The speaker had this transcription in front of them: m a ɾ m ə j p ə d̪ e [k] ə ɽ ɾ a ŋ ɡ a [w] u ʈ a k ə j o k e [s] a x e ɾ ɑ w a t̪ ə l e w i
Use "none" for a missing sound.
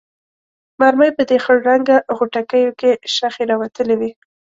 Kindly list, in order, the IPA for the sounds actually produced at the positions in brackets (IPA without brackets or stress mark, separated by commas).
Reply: x, ɣ, ʃ